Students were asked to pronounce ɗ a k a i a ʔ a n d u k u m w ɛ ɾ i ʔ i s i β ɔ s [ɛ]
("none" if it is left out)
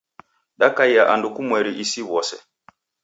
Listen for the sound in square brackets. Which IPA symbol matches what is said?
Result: ɛ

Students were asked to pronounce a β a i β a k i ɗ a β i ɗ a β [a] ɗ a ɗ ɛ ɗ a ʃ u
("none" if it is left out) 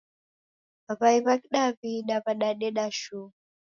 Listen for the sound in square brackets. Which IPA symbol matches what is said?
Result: a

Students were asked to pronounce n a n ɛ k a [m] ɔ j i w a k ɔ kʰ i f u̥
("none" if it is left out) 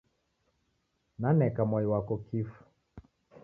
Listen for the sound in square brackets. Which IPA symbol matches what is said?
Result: m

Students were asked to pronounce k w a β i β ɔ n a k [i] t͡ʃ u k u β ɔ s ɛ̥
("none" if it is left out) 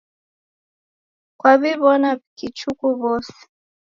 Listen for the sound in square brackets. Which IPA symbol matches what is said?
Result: i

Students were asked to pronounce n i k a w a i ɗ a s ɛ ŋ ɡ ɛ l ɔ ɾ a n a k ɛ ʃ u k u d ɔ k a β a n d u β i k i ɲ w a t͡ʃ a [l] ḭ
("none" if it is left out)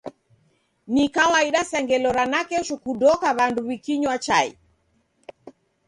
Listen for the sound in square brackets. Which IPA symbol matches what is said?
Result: none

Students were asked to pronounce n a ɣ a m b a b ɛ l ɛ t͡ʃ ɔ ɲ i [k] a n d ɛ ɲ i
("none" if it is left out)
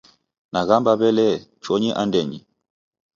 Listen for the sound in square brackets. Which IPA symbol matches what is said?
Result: ʔ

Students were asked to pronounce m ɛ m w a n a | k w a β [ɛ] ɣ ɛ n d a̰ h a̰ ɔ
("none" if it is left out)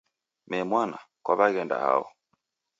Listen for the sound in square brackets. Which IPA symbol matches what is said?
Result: a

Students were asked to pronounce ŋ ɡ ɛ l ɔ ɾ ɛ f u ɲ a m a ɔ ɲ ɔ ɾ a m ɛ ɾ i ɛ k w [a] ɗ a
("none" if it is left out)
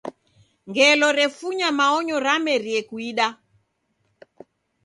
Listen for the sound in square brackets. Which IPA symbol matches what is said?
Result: i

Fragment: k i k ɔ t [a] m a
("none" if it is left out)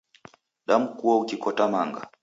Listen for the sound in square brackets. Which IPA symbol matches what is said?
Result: a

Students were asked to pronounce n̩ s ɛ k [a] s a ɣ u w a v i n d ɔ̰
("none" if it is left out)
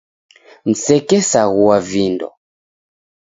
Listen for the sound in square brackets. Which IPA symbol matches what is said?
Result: ɛ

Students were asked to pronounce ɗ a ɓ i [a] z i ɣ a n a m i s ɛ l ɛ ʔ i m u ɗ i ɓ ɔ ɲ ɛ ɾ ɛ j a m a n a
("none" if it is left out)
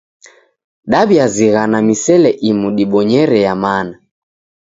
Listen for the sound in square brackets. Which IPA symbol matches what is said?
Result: a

